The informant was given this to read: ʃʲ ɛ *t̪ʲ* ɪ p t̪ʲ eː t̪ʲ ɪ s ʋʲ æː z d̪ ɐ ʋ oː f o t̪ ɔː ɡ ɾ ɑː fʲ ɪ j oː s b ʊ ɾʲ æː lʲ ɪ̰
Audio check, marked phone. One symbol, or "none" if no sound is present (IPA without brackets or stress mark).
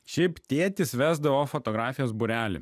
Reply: none